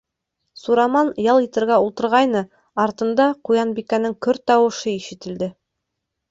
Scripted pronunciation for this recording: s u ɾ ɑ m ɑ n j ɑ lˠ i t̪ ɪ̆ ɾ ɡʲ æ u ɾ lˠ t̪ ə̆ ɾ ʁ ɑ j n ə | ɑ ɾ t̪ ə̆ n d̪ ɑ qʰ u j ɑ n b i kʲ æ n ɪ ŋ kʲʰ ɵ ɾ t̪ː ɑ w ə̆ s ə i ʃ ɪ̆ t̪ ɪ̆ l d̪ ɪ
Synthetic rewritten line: s u ɾ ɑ m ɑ n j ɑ lˠ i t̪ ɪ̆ ɾ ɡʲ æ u lˠ t̪ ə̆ ɾ ʁ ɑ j n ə | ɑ ɾ t̪ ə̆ n d̪ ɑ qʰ u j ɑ n b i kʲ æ n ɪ ŋ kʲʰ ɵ ɾ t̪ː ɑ w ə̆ ʃ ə i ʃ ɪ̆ t̪ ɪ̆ l d̪ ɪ

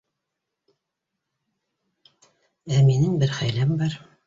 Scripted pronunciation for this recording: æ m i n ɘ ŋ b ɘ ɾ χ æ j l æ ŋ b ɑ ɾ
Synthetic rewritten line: æ m i n ɘ ŋ b ɘ ɾ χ æ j l æ m b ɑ ɾ

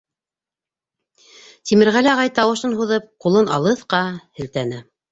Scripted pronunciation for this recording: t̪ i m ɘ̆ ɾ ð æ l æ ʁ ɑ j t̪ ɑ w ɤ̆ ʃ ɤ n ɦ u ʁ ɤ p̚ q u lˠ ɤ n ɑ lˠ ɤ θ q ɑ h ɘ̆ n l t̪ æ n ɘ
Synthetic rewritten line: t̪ i m ɘ̆ ɾ ʁ æ l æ ʁ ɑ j t̪ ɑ w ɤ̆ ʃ ɤ n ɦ u ð ɤ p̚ q u lˠ ɤ n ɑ lˠ ɤ θ q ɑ h ɘ̆ l t̪ æ n ɘ

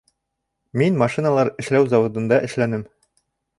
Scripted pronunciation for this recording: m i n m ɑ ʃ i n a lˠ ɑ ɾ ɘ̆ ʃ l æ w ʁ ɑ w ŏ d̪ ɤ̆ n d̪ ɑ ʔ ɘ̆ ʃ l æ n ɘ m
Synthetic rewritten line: m i n m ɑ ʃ i n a lˠ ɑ ɾ ɘ̆ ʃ l æ w z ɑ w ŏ d̪ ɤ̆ n d̪ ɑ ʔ ɘ̆ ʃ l æ n ɘ m

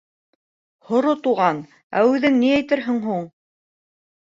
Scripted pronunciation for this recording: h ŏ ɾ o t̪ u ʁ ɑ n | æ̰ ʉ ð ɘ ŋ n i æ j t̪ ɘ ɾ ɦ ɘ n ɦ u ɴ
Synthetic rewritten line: h ŏ ɾ o t̪ u ʁ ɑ n | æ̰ ʉ ð ɘ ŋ n i æ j t̪ ɘ ɾ ɦ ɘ ŋ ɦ u ɴ

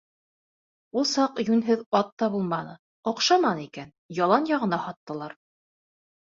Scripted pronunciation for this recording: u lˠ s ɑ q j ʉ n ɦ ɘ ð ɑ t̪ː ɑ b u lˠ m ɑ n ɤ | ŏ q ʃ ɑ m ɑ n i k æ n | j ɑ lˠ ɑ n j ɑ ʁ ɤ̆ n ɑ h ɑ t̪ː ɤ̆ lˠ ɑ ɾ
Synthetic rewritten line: u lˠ s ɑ q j ʉ n ɦ ɘ ð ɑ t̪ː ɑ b u lˠ m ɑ n ɤ | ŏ q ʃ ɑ m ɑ n i k æ n | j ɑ lˠ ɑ n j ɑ ʁ ɤ̆ n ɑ h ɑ t̪ː ɤ̆ lˠ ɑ ɾ

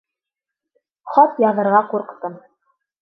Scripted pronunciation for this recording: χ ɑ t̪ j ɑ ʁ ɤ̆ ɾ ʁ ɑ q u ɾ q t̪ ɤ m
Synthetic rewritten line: χ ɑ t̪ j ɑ ð ɤ̆ ɾ ʁ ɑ q u ɾ q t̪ ɤ m

